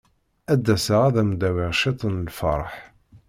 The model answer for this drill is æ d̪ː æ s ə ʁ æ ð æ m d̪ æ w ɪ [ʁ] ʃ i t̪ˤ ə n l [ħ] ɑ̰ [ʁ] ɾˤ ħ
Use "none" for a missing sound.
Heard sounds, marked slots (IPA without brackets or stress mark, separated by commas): ʁ, f, none